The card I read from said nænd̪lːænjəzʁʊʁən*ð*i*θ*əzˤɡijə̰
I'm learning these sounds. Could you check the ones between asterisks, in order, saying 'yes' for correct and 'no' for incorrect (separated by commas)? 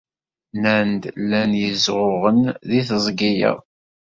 yes, yes